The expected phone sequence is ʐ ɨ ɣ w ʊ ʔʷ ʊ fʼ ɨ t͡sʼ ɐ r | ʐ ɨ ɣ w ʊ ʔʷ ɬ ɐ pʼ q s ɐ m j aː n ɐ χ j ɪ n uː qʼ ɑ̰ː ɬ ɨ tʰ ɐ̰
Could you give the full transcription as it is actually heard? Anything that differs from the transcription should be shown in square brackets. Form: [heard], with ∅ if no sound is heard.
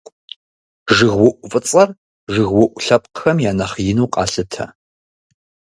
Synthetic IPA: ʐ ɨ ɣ w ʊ ʔʷ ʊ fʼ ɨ t͡sʼ ɐ r | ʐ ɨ ɣ w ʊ ʔʷ ɬ ɐ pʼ q [x] ɐ m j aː n ɐ χ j ɪ n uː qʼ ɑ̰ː ɬ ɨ tʰ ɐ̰